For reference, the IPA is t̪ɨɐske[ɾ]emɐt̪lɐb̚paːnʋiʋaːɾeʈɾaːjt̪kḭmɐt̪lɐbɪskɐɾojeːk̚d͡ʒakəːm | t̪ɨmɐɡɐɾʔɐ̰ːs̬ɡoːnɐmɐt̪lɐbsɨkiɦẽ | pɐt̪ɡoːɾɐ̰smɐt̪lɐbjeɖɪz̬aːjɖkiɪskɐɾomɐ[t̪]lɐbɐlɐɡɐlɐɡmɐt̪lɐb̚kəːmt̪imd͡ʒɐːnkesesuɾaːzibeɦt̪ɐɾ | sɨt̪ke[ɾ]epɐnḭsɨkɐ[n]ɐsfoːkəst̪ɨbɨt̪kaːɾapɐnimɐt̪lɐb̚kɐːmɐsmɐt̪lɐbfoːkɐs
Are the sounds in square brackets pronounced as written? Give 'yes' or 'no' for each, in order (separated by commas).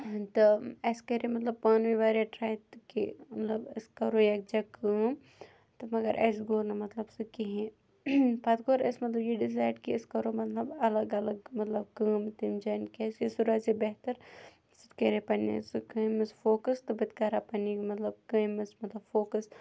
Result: yes, yes, yes, no